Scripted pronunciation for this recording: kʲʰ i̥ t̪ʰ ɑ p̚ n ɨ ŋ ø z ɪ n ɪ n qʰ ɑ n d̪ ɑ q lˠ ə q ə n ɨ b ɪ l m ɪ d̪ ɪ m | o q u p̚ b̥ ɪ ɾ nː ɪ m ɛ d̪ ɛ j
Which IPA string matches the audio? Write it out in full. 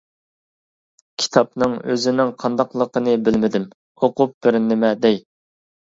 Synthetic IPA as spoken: kʲʰ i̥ t̪ʰ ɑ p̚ n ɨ ŋ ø z ɪ n ɪ ŋ qʰ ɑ n d̪ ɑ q lˠ ə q ə n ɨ b ɪ l m ɪ d̪ ɪ m | o q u p̚ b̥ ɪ ɾ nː ɪ m ɛ d̪ ɛ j